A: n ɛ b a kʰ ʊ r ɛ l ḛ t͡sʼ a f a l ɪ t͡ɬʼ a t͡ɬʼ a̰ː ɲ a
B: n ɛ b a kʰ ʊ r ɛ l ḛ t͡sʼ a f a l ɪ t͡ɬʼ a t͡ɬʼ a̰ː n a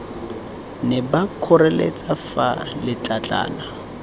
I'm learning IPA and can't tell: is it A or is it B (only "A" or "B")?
B